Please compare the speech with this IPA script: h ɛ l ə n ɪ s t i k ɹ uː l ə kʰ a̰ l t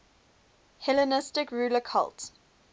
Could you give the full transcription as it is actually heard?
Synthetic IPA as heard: h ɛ l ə n ɪ s t ɪ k ɹ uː l ə kʰ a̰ l t